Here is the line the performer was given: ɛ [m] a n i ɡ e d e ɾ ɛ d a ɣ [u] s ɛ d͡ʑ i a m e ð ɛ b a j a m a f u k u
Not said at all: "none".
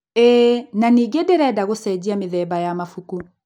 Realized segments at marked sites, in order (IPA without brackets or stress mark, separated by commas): n, o